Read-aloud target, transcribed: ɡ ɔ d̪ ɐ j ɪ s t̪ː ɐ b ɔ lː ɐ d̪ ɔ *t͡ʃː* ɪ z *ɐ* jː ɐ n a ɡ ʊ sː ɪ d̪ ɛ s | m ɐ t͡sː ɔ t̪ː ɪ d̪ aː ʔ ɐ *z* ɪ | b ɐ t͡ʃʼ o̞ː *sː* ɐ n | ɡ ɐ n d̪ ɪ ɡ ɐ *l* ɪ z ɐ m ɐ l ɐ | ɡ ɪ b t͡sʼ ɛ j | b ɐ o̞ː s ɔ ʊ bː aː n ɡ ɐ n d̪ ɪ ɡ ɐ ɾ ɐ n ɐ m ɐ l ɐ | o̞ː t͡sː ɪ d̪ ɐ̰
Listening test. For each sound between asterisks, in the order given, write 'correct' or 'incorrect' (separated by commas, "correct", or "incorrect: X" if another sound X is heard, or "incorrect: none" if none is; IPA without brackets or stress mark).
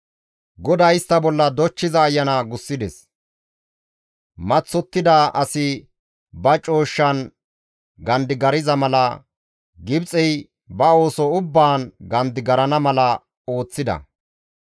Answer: correct, incorrect: ɐː, incorrect: s, incorrect: ʃː, incorrect: ɾ